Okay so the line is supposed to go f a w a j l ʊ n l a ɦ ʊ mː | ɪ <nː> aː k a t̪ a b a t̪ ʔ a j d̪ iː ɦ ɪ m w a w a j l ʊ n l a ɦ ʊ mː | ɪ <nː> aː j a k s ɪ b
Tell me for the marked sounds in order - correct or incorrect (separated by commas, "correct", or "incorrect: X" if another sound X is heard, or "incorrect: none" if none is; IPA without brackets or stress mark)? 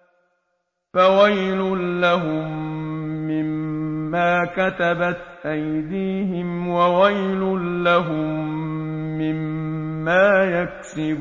incorrect: mː, incorrect: mː